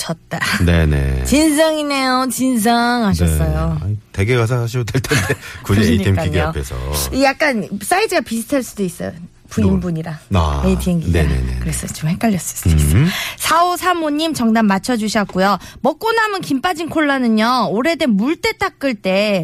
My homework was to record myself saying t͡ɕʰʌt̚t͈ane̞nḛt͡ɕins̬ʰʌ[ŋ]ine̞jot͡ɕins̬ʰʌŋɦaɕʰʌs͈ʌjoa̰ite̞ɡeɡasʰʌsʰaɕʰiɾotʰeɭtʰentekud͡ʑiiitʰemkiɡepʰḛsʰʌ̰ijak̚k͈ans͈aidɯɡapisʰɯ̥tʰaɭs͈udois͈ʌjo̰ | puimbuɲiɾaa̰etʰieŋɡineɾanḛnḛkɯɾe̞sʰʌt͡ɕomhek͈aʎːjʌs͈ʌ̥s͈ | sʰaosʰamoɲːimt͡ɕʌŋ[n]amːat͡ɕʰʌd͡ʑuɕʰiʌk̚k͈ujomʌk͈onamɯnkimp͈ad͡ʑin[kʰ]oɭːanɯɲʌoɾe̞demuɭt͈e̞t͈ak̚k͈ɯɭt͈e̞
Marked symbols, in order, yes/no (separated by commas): yes, no, yes